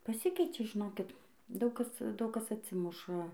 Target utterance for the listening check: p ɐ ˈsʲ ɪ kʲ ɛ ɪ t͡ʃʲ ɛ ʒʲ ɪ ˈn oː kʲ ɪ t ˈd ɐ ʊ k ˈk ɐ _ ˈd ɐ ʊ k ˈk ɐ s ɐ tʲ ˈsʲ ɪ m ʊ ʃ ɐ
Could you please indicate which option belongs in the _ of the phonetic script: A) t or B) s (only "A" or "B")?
B